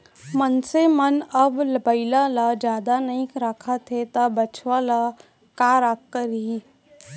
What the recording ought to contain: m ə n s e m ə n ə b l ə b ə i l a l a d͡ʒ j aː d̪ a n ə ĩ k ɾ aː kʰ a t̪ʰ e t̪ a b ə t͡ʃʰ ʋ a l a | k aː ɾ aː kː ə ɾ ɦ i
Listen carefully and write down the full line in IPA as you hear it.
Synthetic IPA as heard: m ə n s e m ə n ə b l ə b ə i l a l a d͡ʒ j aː d̪ a n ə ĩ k ɾ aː kʰ a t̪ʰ e t̪ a b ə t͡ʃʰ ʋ a l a | k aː ɾ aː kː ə ɾ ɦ i